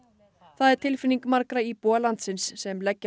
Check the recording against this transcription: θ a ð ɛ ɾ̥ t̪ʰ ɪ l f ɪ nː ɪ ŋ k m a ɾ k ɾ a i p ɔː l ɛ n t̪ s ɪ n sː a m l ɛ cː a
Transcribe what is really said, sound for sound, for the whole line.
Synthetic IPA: θ a ð ɛ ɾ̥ t̪ʰ ɪ l f ɪ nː i ŋ k m a ɾ k ɾ a i p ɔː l a n t̪ s ɪ n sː ɛ m l ɛ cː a